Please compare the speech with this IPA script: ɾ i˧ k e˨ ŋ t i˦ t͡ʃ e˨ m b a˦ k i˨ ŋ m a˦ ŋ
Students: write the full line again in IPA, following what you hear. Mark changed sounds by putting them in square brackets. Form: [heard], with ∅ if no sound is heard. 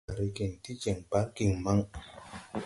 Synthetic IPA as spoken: ɾ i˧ k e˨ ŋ t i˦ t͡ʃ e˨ [ŋ] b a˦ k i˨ ŋ m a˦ ŋ